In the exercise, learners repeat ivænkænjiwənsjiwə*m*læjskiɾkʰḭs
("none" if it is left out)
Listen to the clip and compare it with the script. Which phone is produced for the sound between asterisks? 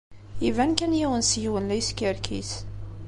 n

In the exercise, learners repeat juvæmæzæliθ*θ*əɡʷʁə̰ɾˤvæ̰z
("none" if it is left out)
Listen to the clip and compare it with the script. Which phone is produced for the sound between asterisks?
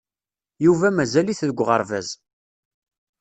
ð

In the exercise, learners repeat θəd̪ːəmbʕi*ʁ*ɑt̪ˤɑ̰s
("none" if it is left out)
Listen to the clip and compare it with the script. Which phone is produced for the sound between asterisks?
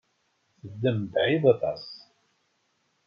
ð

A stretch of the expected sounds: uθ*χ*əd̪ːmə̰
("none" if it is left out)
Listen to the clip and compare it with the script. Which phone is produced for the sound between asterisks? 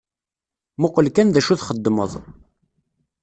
χ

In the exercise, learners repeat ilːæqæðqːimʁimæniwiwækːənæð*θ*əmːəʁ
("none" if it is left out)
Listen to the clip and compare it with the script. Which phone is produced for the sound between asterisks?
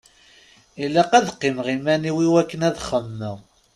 χ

